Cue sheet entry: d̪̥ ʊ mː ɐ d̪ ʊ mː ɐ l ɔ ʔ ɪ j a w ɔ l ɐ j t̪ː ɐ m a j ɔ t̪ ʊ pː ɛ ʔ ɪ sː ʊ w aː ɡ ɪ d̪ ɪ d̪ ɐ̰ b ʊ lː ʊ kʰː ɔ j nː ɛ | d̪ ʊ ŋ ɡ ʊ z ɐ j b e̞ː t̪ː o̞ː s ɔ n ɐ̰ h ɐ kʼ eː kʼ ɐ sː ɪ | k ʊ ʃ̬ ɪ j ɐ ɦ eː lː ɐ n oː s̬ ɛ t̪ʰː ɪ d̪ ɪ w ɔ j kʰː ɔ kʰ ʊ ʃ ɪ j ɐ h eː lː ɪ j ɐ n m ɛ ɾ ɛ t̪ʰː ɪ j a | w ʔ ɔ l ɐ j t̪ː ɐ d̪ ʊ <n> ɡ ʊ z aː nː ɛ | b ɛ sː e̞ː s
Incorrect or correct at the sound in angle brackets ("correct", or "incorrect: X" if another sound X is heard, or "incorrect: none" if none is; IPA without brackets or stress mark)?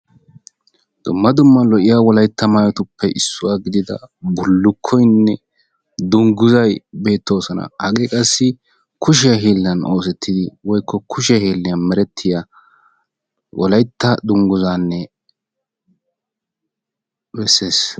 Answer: incorrect: ŋ